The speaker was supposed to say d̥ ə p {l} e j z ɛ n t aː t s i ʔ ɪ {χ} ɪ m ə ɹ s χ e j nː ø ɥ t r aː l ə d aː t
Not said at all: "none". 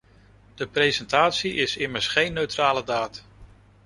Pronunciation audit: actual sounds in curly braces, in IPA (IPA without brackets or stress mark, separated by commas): r, s